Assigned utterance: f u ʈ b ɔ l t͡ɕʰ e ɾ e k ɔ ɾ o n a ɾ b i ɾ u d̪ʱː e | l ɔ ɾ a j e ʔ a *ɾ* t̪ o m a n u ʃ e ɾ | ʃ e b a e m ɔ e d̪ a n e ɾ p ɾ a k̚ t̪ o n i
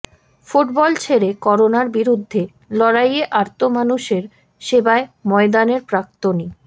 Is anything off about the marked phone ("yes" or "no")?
no